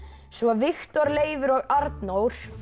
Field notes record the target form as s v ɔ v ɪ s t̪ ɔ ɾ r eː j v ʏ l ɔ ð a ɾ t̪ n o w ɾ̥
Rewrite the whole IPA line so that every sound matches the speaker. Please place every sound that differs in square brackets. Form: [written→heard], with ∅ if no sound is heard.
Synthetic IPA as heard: s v ɔ v ɪ [s→x] t̪ ɔ ɾ [r→l] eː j v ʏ [l→ɾ] ɔ [ð→ɣ] a ɾ t̪ n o w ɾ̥